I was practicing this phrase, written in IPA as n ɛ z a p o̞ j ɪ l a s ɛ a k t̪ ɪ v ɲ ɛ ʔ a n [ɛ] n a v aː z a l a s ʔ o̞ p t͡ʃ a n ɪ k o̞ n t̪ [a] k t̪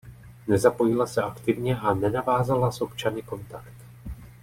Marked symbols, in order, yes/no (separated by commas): yes, yes